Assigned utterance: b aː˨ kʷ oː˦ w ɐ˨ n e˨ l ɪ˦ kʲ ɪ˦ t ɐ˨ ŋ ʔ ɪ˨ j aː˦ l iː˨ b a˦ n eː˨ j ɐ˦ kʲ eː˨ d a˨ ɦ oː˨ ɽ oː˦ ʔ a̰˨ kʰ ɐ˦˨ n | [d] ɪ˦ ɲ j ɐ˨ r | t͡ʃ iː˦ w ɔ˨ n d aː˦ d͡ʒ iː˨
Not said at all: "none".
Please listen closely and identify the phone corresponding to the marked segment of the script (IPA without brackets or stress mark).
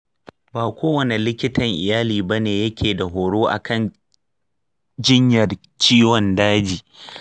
d͡ʒ